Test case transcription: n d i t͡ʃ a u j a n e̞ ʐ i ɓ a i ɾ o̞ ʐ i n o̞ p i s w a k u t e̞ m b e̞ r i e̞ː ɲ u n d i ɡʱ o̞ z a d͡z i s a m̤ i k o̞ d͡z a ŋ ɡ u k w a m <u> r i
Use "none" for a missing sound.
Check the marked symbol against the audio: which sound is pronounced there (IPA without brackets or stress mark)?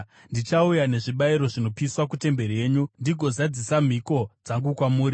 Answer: uː